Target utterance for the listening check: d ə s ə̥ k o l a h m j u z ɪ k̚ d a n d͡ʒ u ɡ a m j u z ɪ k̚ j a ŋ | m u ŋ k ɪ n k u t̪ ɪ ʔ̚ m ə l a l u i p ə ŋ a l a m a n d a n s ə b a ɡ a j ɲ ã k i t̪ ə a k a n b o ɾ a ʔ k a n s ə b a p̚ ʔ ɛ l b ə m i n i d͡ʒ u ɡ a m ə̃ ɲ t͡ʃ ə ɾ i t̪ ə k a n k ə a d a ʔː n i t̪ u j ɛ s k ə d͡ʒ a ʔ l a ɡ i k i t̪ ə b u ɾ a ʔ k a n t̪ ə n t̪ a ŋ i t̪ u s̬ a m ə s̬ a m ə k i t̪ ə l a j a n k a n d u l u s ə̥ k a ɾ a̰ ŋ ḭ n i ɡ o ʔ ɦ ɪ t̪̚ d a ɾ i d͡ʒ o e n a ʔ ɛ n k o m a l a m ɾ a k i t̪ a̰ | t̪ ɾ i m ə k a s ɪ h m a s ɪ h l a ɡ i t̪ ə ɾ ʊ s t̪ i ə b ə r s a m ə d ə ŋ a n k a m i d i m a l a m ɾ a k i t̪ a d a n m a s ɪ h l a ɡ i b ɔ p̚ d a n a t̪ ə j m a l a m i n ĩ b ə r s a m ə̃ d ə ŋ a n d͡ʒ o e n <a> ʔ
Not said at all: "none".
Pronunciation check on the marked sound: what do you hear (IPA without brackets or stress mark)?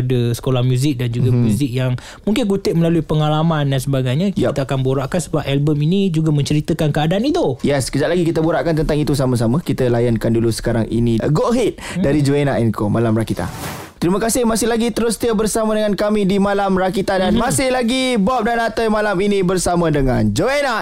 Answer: a